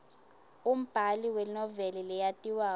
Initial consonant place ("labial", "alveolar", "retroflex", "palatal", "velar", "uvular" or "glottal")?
labial